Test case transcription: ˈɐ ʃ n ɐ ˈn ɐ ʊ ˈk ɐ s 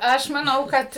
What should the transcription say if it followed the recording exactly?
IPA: ˈɐ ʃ m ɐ ˈn ɐ ʊ ˈk ɐ t